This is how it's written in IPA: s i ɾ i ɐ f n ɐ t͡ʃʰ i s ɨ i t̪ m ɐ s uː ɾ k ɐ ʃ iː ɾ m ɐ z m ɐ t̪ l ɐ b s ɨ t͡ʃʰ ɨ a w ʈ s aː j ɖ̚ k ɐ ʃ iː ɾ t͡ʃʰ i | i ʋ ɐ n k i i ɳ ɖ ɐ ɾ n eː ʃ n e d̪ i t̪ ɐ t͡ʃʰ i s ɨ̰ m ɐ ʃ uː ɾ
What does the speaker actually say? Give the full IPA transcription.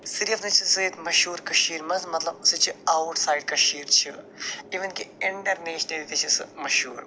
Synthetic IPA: s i ɾ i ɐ f n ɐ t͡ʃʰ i s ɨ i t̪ m ɐ ʃ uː ɾ k ɐ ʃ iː ɾ m ɐ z m ɐ t̪ l ɐ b s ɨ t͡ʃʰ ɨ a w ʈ s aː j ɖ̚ k ɐ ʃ iː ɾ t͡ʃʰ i | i ʋ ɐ n k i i ɳ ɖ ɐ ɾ n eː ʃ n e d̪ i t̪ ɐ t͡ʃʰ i s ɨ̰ m ɐ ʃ uː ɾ

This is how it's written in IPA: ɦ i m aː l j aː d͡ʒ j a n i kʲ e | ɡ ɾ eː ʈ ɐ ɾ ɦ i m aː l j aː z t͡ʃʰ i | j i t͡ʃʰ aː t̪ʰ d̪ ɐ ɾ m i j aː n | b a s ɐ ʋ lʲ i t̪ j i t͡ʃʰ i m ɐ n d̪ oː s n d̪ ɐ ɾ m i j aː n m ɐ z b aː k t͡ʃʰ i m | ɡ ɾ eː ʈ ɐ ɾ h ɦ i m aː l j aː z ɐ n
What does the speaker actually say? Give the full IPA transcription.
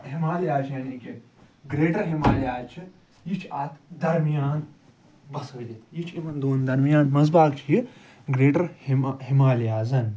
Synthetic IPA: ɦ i m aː l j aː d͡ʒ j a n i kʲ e | ɡ ɾ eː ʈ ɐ ɾ ɦ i m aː l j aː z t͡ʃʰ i | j i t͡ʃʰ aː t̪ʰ d̪ ɐ ɾ m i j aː n | b ɐ s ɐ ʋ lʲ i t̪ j i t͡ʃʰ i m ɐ n d̪ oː n d̪ ɐ ɾ m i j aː n m ɐ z b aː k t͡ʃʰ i | ɡ ɾ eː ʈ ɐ ɾ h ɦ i m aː l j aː z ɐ n

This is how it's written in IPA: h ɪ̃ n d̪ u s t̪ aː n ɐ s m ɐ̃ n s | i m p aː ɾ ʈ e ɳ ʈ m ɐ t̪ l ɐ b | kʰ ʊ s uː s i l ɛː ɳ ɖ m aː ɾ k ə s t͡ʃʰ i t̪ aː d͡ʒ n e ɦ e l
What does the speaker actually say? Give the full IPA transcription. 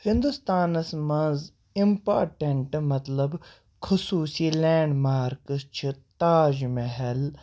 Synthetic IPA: h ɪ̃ n d̪ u s t̪ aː n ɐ s m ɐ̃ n z | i m p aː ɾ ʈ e ɳ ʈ m ɐ t̪ l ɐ b | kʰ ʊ s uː s i l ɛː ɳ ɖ m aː ɾ k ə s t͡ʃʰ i t̪ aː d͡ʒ m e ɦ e l

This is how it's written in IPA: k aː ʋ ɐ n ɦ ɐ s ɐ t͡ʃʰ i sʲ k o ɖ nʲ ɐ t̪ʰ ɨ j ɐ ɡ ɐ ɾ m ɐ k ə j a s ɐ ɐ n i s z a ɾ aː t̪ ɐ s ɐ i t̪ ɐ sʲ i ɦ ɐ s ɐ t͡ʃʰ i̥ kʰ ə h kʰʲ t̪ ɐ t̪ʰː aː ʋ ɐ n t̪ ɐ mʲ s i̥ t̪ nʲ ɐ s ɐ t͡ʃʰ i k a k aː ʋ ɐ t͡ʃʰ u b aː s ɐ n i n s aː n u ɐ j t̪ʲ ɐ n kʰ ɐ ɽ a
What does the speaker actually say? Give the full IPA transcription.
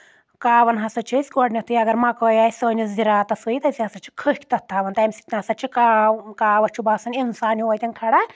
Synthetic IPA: k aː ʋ ɐ n ɦ ɐ s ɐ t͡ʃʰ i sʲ k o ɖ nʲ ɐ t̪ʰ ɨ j ɐ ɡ ɐ ɾ m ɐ k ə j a s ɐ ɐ n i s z i ɾ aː t̪ ɐ s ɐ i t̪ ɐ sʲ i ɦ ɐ s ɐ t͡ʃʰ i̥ kʰ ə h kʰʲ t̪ ɐ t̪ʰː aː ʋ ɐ n t̪ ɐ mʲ s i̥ t̪ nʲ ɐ s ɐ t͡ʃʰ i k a k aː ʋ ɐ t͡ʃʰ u b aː s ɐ n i n s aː n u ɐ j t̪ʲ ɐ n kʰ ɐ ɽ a

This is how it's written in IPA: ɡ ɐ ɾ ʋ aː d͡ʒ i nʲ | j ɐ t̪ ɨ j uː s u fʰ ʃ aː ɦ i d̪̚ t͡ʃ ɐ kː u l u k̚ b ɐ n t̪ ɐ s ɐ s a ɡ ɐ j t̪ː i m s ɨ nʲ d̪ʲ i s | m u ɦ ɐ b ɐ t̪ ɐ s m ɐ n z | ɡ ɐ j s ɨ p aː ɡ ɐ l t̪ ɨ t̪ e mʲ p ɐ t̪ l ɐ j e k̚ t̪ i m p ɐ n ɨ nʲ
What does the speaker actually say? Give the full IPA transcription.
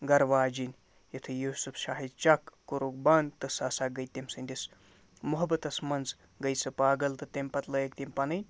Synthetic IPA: ɡ ɐ ɾ ʋ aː d͡ʒ i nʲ | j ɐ t̪ʰ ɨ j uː s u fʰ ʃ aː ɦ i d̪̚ t͡ʃ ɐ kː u ɾ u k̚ b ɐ n t̪ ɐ s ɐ s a ɡ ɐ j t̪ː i m s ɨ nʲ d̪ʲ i s | m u ɦ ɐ b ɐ t̪ ɐ s m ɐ n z | ɡ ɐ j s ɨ p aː ɡ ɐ l t̪ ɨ t̪ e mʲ p ɐ t̪ l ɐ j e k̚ t̪ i m p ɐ n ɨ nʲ

